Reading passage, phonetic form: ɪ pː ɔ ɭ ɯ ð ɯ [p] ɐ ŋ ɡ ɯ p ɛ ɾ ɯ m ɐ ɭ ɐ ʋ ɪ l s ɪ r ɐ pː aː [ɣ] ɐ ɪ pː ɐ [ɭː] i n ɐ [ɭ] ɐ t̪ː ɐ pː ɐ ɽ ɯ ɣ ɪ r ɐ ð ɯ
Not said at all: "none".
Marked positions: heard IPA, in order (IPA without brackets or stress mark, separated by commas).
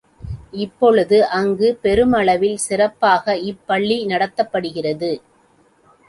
ʔ, ɣ, ɭː, ɽ